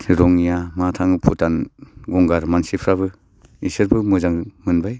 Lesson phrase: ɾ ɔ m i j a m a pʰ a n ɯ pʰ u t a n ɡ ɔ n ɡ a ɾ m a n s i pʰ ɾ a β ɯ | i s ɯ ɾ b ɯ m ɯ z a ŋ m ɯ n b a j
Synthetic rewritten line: ɾ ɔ ŋ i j a m a tʰ a ŋ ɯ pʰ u t a n ɡ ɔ ŋ ɡ a ɾ m a n s i pʰ ɾ a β ɯ | i s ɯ ɾ b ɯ m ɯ z a ŋ m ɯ n b a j